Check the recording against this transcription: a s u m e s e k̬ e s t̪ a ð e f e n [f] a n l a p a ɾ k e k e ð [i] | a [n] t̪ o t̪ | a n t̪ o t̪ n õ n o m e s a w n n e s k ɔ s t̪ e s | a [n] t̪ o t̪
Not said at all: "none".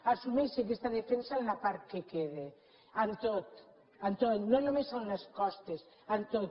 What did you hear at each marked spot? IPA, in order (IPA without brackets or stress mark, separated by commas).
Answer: s, e, n, n